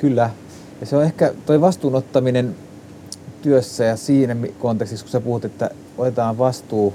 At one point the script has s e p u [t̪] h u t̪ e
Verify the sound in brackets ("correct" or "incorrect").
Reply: incorrect